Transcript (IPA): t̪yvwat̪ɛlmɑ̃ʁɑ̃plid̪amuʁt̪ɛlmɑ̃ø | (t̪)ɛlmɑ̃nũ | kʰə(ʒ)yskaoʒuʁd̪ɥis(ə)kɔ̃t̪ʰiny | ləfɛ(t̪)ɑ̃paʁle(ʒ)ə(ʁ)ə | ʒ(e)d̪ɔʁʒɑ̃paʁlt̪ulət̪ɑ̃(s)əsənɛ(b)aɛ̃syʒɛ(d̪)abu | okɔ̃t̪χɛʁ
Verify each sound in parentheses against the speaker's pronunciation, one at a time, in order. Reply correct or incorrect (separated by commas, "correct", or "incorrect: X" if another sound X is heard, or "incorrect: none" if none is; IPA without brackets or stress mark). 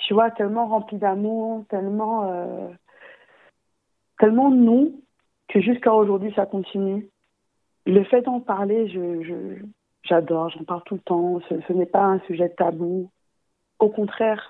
correct, correct, incorrect: a, incorrect: d̪, correct, incorrect: ʒ, incorrect: a, correct, incorrect: p, incorrect: t̪